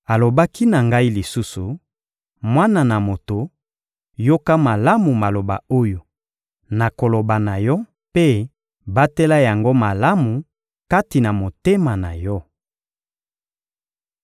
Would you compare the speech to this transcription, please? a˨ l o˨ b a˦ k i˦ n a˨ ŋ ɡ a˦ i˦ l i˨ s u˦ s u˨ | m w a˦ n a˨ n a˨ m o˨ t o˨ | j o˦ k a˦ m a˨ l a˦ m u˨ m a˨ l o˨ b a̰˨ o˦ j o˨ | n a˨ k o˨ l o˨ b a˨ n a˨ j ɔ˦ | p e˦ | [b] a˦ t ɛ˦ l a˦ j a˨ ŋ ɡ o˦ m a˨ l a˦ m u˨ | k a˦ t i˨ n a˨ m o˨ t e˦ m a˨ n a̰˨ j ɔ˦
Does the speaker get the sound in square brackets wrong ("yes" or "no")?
no